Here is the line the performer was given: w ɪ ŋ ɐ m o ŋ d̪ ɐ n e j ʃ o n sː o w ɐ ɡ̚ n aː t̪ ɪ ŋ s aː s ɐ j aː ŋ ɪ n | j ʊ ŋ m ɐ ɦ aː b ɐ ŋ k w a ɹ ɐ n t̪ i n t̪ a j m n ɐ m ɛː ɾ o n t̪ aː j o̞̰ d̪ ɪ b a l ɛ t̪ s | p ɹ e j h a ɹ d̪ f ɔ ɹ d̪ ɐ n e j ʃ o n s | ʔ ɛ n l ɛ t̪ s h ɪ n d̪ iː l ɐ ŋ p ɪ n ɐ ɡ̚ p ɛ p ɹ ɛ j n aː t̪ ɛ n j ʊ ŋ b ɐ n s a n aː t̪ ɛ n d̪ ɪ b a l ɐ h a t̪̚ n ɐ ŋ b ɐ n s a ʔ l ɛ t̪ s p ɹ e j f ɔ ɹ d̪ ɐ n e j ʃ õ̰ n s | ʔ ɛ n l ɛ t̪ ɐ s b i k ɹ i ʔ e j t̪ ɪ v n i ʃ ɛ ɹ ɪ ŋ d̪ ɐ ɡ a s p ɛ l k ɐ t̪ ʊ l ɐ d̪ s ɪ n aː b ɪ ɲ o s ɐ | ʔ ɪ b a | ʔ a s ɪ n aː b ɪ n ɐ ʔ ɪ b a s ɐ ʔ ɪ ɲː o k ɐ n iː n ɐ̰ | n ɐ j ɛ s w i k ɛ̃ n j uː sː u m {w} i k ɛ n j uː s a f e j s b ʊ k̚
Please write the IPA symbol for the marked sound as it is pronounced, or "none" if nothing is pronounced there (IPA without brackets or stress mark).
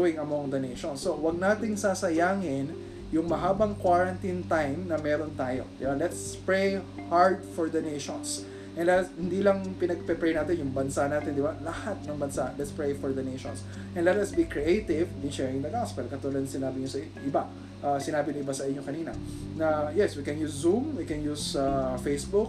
w